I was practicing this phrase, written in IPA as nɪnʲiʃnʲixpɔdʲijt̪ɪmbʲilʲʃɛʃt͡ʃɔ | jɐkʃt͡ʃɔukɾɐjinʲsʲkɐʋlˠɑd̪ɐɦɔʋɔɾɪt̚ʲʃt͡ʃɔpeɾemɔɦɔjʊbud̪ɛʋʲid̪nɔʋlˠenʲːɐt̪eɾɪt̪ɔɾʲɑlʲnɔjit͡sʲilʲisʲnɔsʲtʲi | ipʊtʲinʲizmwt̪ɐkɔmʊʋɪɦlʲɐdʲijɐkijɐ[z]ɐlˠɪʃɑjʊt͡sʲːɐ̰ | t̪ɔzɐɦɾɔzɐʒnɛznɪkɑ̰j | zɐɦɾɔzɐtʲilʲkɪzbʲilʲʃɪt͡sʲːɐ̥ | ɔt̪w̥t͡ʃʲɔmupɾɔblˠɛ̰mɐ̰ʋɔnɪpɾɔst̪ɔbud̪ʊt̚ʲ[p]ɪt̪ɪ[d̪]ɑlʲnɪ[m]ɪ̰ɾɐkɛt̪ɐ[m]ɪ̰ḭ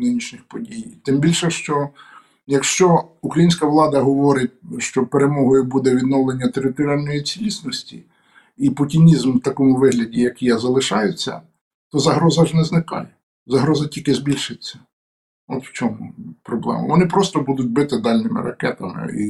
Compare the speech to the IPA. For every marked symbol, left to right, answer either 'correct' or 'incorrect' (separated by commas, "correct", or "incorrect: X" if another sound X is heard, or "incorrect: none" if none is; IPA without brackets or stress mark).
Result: correct, incorrect: b, correct, correct, correct